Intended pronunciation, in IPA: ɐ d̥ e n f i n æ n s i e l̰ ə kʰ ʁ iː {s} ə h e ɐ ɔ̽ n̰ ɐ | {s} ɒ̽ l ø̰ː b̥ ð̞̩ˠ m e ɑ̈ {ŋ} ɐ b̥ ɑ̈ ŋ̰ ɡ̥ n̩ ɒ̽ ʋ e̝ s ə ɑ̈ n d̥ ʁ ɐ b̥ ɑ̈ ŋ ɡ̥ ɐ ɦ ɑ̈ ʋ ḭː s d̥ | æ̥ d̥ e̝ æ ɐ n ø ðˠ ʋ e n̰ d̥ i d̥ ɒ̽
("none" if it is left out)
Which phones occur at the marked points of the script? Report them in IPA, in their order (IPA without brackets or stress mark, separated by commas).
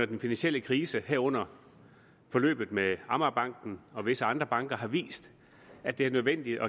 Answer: s, f, m